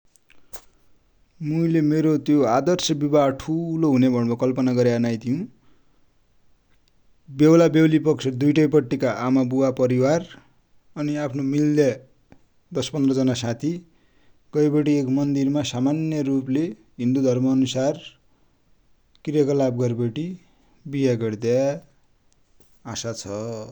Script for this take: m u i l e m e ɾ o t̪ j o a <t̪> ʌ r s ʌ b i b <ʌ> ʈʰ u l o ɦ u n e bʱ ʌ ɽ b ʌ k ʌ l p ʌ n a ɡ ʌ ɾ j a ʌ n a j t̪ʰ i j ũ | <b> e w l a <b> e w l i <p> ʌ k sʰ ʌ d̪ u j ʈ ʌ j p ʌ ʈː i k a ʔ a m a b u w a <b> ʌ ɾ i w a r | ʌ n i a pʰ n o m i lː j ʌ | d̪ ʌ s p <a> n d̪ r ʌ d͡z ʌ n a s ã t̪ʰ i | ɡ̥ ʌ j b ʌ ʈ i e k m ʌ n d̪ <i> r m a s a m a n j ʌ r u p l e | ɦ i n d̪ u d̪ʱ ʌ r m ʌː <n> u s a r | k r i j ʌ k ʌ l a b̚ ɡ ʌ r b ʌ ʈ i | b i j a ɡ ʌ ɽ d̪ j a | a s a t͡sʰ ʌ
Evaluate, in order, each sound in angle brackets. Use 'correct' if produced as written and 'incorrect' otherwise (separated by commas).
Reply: incorrect, incorrect, correct, correct, correct, incorrect, incorrect, correct, correct